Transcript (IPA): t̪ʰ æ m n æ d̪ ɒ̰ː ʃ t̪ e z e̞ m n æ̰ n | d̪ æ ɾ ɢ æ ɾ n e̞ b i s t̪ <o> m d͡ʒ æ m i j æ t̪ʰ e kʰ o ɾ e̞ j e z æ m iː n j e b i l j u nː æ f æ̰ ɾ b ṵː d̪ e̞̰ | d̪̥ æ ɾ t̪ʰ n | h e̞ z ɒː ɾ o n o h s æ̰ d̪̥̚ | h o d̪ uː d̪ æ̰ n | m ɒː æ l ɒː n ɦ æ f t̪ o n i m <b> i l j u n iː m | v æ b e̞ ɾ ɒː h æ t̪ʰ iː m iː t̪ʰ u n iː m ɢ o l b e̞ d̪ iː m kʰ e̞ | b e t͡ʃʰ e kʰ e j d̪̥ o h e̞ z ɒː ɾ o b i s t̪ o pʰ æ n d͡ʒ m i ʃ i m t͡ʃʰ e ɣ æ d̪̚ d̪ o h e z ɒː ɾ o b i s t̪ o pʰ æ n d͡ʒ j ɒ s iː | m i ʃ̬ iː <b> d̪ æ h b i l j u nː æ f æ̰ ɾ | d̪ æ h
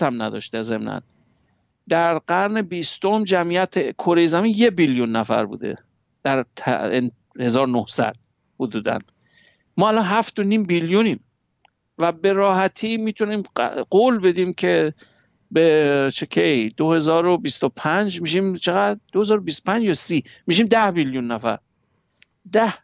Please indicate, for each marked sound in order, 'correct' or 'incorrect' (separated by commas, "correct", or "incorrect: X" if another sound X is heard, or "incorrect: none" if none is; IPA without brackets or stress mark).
correct, correct, incorrect: m